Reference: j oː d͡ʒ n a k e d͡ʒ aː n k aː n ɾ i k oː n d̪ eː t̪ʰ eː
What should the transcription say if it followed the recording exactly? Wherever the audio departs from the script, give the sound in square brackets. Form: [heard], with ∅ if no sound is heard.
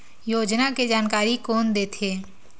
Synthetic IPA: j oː d͡ʒ n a k e d͡ʒ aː n k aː [∅] ɾ i k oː n d̪ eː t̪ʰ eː